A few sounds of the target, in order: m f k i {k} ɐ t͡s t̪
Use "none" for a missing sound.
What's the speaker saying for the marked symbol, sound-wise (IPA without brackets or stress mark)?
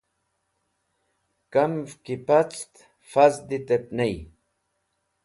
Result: p